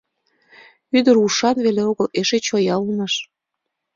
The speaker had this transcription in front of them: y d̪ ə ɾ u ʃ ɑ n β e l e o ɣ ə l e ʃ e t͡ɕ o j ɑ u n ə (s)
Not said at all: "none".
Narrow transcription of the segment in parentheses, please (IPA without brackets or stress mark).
ʃ